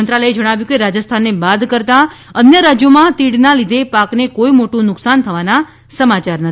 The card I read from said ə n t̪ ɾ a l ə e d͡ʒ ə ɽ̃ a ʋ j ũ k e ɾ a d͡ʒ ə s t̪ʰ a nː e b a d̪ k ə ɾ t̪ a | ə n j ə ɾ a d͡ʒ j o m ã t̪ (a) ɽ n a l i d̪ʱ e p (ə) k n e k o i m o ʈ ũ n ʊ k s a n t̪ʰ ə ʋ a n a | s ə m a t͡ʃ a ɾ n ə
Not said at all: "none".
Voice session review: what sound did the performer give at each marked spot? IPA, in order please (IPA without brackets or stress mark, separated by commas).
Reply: i, a